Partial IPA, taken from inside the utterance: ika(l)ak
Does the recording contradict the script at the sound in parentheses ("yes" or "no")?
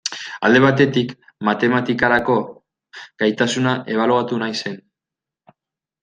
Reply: yes